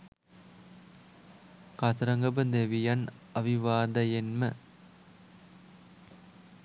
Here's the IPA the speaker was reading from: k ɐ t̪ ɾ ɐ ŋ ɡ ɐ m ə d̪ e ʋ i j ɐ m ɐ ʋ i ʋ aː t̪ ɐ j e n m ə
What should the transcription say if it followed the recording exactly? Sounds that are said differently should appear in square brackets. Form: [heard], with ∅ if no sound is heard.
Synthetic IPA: k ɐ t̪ ɾ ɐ ŋ ɡ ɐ [b] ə d̪ e ʋ i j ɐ [n] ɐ ʋ i ʋ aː [d̪] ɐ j e n m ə